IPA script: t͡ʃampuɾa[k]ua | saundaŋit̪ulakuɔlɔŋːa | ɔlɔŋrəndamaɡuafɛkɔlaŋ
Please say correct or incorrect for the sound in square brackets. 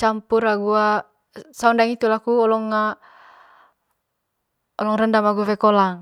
incorrect